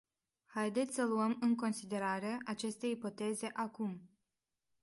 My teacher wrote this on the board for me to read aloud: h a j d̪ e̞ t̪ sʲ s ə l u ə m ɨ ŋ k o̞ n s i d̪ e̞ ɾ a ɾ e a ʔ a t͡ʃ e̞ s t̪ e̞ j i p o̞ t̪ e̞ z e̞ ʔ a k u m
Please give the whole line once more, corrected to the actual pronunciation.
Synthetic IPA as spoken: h a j d̪ e̞ t̪ sʲ s ə l u ə m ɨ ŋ k o̞ n s i d̪ e̞ ɾ a ɾ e a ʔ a t͡ʃ e̞ s t̪ e̞ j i p o̞ t̪ e̞ z e̞ ʔ a k u m